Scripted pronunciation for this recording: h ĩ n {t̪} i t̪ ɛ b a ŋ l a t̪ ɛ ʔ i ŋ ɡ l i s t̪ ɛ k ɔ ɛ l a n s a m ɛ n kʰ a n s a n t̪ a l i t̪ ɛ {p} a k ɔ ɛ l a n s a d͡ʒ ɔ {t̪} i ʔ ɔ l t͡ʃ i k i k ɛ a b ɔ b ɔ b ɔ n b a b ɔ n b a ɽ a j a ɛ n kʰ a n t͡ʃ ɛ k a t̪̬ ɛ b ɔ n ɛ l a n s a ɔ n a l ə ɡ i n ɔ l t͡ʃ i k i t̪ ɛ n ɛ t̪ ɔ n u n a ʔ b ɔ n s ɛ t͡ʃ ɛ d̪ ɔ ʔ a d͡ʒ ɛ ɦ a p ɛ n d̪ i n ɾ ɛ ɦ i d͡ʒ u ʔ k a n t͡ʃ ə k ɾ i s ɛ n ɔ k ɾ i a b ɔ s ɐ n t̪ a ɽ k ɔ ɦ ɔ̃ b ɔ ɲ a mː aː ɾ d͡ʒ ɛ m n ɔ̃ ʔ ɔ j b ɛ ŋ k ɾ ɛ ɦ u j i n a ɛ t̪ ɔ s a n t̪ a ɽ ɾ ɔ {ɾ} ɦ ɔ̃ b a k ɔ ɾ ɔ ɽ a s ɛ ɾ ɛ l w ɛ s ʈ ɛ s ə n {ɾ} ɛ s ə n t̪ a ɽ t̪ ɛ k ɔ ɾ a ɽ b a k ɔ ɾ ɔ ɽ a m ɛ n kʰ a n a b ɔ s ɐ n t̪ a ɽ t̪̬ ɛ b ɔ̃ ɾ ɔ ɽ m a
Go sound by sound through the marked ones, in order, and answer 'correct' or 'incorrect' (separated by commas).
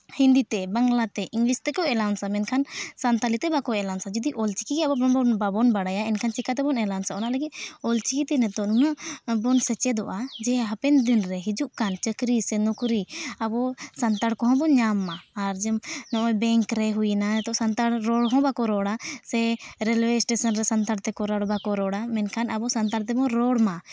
incorrect, incorrect, incorrect, incorrect, correct